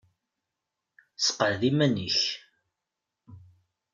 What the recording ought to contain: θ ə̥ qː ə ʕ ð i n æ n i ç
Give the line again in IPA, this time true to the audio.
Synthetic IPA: s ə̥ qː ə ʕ ð i m æ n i ç